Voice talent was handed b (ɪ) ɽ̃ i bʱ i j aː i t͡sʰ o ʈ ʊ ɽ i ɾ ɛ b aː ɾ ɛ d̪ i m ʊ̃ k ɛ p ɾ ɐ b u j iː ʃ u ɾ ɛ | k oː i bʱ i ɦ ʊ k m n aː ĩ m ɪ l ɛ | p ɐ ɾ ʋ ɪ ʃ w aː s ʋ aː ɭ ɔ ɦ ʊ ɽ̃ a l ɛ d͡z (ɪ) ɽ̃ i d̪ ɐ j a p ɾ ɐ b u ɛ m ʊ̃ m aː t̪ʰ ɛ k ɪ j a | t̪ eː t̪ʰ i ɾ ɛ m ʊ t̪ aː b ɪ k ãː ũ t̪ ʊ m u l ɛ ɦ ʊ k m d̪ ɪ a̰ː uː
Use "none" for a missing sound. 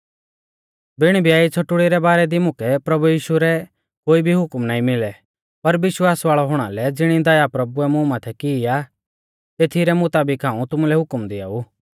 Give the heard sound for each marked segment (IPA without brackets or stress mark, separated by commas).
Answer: ɪ, ɪ